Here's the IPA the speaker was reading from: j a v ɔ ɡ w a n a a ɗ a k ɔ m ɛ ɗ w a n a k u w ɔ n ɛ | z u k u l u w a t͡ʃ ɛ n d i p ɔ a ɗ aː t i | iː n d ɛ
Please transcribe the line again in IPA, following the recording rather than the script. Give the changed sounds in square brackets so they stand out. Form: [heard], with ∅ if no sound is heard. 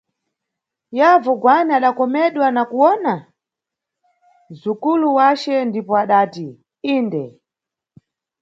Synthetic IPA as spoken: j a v ɔ ɡ w a n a a ɗ a k ɔ m ɛ ɗ w a n a k u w ɔ n [a] | z u k u l u w a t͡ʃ ɛ n d i p ɔ a ɗ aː t i | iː n d ɛ